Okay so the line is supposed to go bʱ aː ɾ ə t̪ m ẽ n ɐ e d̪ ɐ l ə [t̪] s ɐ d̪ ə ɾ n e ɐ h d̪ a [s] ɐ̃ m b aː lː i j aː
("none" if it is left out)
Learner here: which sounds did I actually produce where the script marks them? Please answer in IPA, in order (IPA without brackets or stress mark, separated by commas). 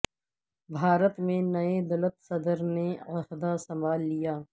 t̪, s